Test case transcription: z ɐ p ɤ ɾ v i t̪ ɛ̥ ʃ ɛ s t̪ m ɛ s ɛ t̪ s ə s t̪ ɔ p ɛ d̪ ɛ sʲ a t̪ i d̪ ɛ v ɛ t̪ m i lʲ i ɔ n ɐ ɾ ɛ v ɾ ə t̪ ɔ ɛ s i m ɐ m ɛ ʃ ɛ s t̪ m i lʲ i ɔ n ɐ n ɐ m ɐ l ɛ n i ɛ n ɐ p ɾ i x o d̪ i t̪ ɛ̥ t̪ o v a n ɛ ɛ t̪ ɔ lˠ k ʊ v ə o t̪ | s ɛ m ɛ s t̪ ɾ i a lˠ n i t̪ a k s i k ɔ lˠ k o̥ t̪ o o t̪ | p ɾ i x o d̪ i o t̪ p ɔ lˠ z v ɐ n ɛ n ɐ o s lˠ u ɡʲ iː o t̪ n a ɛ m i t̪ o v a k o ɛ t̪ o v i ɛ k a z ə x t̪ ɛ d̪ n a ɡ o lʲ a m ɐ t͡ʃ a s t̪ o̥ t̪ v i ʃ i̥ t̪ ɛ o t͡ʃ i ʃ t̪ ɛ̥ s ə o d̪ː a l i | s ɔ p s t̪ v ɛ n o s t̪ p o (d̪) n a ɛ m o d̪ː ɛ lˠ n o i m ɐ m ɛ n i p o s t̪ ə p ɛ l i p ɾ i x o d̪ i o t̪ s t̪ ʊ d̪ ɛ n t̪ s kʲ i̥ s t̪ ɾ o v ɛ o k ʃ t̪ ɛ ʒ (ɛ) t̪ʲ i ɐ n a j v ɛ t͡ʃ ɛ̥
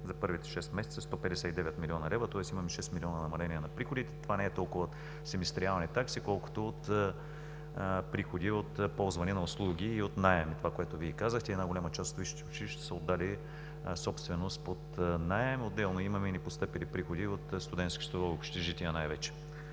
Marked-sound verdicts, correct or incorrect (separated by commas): incorrect, incorrect